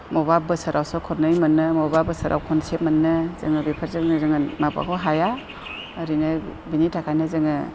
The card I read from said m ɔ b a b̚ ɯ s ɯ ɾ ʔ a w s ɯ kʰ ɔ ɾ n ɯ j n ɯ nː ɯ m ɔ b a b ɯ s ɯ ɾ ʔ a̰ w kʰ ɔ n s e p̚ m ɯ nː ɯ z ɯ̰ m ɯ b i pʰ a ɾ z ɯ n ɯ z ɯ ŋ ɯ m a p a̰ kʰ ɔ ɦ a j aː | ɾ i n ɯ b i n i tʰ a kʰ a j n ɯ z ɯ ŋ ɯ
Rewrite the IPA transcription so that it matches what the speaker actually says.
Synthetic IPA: m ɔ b a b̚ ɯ s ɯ ɾ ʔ a w s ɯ kʰ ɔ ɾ n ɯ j m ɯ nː ɯ m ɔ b a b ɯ s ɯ ɾ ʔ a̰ w kʰ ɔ n s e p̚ m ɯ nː ɯ z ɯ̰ ŋ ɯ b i pʰ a ɾ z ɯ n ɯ z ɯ ŋ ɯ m a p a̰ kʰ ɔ ɦ a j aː | ɾ i n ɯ b i n i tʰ a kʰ a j n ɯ z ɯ ŋ ɯ